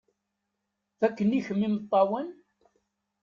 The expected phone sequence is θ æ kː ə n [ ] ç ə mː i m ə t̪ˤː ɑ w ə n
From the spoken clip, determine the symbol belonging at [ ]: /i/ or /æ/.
i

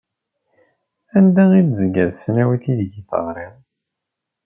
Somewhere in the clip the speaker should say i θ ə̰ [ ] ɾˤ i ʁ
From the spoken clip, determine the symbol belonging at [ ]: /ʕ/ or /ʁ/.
ʁ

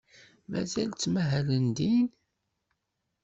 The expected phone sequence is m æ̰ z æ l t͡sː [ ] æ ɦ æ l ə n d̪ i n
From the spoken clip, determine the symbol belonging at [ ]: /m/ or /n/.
m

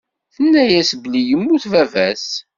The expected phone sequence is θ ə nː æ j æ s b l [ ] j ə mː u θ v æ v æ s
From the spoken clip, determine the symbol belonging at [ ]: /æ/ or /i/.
i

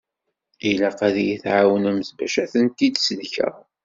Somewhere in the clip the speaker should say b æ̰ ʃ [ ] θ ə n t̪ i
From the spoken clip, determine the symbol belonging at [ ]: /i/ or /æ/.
æ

